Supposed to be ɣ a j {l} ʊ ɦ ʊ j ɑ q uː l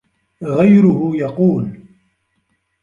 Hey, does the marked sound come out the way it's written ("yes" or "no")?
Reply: no